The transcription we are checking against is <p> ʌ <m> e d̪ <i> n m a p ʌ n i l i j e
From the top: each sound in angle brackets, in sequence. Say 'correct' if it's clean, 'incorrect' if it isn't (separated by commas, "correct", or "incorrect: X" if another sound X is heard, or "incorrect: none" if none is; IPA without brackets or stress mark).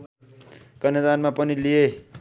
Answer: incorrect: k, incorrect: n, incorrect: a